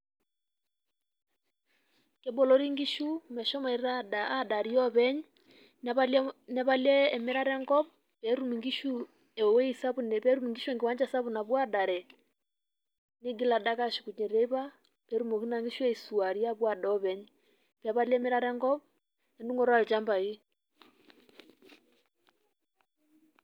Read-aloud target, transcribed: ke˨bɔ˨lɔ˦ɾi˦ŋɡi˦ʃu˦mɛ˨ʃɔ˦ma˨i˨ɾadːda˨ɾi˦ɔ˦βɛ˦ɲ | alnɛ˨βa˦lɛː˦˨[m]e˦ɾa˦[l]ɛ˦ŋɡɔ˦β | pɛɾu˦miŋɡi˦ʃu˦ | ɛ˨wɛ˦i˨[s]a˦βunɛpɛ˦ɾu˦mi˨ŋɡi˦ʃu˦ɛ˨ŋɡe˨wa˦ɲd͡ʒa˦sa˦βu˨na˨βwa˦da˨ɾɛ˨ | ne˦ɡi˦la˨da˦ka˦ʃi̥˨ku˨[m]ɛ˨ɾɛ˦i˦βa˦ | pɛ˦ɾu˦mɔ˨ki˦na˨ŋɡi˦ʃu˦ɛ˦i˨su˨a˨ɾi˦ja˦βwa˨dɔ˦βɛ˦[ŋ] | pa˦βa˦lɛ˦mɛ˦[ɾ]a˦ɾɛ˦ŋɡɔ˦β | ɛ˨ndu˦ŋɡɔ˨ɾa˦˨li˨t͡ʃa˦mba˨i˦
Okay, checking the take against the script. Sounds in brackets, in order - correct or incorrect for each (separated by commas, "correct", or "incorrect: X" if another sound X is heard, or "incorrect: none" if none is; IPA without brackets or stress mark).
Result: correct, incorrect: ɾ, correct, incorrect: ɲ, incorrect: ɲ, correct